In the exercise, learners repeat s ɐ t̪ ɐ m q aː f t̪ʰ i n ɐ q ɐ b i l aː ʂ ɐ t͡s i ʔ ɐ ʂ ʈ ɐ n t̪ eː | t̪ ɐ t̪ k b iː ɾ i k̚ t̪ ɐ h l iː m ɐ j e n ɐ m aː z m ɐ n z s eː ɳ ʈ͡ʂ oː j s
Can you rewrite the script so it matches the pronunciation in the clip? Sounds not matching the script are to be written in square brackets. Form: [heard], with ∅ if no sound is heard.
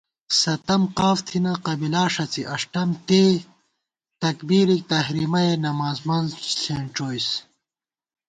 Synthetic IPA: s ɐ t̪ ɐ m q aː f t̪ʰ i n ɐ q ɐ b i l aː ʂ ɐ t͡s i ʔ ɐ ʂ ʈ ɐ [m] t̪ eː | t̪ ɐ [∅] k b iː ɾ i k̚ t̪ ɐ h [ɾ] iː m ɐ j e n ɐ m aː z m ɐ n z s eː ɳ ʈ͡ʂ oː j s